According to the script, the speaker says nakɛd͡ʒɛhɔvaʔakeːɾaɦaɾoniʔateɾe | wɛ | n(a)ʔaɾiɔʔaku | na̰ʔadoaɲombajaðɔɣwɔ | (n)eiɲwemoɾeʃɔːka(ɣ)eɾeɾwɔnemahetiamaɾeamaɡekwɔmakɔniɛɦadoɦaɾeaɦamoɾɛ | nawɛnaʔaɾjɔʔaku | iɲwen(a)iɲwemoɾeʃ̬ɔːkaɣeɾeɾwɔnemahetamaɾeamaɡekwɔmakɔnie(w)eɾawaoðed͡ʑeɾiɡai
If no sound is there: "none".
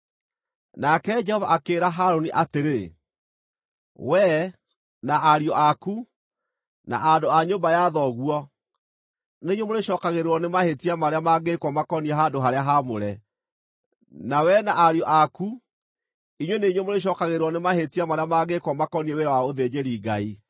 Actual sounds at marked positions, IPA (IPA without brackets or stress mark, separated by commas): a, n, ɣ, e, w